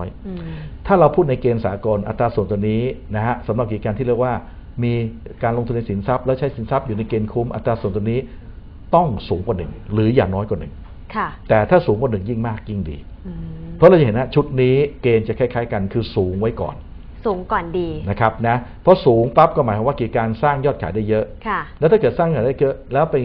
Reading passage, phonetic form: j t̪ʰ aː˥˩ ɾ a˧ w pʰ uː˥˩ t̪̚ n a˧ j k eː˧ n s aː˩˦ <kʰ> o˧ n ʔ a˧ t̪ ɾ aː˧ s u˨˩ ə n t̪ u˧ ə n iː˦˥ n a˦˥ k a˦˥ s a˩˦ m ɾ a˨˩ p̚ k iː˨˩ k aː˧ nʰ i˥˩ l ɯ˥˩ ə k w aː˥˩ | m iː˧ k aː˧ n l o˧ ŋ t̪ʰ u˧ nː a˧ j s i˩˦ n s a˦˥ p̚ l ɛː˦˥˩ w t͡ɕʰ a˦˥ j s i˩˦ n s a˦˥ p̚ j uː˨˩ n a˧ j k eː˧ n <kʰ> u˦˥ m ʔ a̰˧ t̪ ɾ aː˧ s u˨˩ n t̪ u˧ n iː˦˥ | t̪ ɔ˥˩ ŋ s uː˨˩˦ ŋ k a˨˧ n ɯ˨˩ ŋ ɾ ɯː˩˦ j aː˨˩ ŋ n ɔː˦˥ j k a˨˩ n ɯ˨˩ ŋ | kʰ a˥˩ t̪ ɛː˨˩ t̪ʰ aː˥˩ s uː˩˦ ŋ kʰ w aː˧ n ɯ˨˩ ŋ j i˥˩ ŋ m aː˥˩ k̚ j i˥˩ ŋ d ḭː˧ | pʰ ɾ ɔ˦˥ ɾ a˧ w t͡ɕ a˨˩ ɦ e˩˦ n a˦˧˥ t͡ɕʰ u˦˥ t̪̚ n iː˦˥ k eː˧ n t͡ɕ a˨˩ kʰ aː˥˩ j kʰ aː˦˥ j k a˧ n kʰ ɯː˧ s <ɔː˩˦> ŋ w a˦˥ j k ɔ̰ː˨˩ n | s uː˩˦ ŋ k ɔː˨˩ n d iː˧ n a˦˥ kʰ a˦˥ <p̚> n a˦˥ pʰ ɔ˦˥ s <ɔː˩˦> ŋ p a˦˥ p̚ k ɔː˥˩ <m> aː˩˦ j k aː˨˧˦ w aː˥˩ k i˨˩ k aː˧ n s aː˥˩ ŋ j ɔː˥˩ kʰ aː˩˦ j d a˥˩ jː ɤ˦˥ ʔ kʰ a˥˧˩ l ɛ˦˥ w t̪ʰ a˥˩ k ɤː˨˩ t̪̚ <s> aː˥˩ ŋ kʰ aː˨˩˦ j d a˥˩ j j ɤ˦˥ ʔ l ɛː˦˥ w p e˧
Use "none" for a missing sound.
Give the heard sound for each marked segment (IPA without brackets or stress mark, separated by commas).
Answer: k, kʰ, uː˩˦, p̚, uː˩˦, m, s